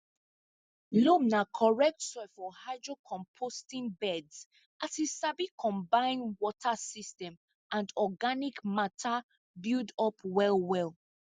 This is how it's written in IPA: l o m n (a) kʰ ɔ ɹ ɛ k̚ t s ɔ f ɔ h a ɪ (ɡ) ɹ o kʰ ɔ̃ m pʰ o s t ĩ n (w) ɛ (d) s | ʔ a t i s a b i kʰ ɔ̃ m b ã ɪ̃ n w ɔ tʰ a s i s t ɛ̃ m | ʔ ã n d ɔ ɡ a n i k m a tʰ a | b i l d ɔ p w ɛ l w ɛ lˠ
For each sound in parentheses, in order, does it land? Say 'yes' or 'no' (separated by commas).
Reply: yes, no, no, yes